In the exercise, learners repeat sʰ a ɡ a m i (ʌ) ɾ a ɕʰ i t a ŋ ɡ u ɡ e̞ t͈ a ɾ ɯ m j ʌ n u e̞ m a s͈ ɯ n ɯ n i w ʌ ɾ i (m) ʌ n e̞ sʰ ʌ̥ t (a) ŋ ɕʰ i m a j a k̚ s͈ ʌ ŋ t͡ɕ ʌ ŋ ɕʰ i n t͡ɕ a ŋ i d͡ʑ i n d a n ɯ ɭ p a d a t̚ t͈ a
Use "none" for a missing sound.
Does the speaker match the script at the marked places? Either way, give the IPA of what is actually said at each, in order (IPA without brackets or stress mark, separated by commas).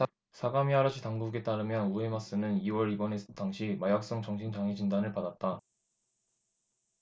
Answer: a, b, a